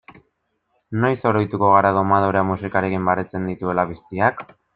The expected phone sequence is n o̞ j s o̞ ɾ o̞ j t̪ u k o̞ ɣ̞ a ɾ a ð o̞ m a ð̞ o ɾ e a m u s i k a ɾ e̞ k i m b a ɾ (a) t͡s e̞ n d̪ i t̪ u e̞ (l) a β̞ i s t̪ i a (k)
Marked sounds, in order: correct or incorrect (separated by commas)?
incorrect, correct, correct